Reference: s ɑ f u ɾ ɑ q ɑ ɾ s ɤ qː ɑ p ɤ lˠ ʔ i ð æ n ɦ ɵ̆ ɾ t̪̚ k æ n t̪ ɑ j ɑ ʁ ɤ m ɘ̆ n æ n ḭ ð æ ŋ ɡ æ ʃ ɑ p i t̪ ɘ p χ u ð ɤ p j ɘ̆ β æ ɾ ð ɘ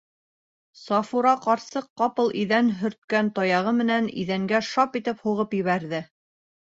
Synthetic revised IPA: s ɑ f u ɾ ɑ q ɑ ɾ s ɤ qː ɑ p ɤ lˠ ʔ i ð æ n ɦ ɵ̆ ɾ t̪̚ k æ n t̪ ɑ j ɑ ʁ ɤ m ɘ̆ n æ n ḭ ð æ ŋ ɡ æ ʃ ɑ p i t̪ ɘ p h u ʁ ɤ p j ɘ̆ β æ ɾ ð ɘ